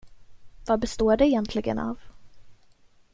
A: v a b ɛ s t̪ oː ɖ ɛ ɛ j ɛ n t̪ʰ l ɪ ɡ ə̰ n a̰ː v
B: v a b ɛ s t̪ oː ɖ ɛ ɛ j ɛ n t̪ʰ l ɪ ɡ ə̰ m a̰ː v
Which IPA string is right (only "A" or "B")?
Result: A